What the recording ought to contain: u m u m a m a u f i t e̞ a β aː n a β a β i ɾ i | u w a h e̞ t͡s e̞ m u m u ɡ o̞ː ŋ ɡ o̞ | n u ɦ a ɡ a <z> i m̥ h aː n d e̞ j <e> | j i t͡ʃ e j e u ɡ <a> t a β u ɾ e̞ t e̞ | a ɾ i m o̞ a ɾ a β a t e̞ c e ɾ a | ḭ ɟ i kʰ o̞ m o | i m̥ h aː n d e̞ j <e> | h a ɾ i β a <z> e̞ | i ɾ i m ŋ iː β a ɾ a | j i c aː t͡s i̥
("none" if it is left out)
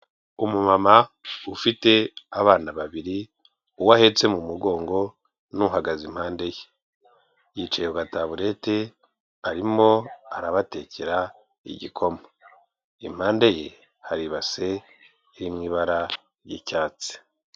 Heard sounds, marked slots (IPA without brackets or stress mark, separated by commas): z, e, a, e, s